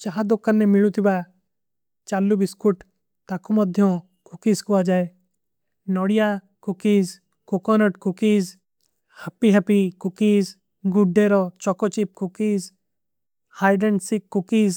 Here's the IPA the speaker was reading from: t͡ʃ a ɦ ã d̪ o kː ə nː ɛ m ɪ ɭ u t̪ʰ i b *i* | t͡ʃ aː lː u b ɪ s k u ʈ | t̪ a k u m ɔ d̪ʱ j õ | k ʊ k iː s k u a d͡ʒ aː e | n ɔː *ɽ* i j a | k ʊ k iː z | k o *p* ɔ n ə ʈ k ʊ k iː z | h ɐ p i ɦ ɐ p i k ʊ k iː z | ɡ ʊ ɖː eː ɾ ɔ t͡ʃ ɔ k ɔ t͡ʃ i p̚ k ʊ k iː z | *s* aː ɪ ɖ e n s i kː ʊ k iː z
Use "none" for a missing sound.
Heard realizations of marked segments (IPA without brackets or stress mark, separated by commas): a, ɽ, k, h